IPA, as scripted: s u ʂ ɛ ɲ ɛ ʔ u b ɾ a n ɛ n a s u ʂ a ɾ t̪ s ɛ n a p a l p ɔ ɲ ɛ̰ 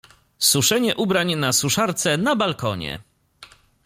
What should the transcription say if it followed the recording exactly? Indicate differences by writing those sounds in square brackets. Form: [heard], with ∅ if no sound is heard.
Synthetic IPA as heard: s u ʂ ɛ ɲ ɛ ʔ u b ɾ a [ɲ] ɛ n a s u ʂ a ɾ t̪ s ɛ n a [b] a l [k] ɔ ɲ ɛ̰